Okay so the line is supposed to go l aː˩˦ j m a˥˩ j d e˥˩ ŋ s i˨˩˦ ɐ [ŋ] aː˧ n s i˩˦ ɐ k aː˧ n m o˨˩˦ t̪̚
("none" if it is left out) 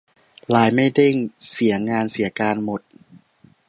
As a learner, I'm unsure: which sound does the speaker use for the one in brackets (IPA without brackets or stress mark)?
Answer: ŋ